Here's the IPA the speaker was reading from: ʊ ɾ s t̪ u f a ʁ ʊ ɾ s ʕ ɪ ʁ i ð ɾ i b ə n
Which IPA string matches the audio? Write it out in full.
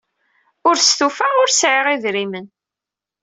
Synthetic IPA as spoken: ʊ ɾ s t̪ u f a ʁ ʊ ɾ s ʕ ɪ ʁ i ð ɾ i m ə n